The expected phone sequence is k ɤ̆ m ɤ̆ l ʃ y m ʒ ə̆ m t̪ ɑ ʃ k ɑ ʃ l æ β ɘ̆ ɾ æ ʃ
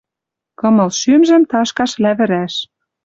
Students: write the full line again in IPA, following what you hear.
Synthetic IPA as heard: k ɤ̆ m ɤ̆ l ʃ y m ʒ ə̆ m t̪ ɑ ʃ k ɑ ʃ l æ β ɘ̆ ɾ æ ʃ